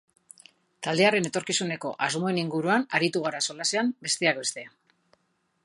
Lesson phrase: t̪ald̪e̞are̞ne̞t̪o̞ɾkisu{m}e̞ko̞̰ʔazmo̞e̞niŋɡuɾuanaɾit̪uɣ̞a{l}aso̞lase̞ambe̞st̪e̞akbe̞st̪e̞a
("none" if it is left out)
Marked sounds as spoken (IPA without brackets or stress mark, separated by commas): n, ɾ